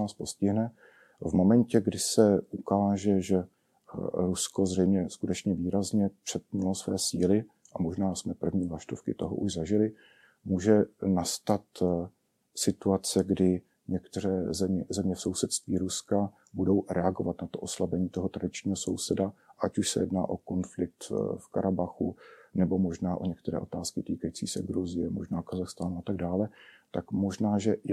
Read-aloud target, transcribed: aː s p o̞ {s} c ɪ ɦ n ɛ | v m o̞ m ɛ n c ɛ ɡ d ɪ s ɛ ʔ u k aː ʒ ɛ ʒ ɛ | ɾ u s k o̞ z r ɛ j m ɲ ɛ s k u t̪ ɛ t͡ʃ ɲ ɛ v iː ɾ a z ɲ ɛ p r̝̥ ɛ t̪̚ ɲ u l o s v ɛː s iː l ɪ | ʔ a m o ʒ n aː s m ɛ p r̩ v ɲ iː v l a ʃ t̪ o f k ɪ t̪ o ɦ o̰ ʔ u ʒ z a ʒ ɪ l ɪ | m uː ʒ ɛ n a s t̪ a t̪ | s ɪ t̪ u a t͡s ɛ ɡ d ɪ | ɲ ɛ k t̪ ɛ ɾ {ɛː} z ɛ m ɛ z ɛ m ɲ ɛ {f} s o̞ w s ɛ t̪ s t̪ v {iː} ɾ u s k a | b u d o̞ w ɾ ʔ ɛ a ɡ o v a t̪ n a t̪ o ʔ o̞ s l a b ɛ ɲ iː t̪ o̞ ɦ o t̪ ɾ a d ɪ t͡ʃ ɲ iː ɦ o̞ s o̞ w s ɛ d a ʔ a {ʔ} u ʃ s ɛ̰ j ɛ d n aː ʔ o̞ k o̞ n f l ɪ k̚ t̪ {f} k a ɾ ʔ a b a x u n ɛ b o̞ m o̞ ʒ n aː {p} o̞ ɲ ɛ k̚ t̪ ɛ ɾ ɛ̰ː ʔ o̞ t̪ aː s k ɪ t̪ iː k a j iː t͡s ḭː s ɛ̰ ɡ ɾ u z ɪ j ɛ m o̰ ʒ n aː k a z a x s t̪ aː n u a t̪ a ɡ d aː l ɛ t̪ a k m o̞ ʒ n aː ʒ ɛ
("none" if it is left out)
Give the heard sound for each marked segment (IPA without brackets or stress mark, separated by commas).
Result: s, ɛː, f, iː, c, f, ʔ